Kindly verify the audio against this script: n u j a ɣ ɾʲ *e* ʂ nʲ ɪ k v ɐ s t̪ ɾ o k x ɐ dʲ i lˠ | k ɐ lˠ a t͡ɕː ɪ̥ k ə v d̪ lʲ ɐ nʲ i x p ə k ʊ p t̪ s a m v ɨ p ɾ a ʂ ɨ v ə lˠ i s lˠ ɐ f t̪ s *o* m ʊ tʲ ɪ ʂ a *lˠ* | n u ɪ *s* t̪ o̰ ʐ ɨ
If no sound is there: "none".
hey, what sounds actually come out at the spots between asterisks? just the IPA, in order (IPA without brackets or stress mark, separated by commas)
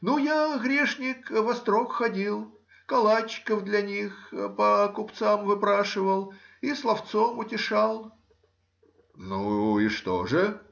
e, o, lˠ, ʂ